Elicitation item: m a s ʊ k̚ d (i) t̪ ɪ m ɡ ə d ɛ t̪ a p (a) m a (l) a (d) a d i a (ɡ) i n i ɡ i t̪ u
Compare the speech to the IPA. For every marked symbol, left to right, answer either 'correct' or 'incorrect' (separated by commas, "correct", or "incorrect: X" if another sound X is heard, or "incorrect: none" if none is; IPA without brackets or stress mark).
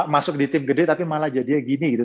correct, incorrect: i, correct, incorrect: d͡ʒ, correct